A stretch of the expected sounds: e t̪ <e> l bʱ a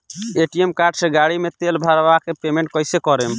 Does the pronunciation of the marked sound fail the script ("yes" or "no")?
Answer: no